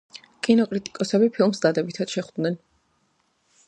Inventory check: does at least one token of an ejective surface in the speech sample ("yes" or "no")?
yes